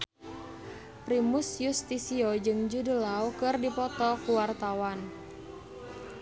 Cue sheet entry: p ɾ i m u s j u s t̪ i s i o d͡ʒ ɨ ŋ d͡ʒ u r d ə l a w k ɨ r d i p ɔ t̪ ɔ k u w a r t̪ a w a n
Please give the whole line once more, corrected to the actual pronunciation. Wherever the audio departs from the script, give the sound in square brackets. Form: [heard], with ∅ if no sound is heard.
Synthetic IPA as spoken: p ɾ i m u s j u s t̪ i s i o d͡ʒ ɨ ŋ d͡ʒ u [∅] d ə l a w k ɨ r d i p ɔ t̪ ɔ k u w a r t̪ a w a n